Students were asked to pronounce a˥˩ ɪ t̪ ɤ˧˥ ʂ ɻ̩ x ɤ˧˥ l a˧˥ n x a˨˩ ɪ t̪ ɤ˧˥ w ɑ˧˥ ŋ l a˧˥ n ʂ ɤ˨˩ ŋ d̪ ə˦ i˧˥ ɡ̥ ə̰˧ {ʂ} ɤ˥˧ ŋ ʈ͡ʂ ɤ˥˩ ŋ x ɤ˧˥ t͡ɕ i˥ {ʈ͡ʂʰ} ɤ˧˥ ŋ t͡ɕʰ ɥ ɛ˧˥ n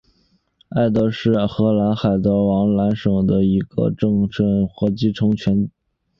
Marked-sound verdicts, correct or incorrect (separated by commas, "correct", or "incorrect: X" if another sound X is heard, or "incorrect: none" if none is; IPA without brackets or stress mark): incorrect: ʈ͡ʂ, correct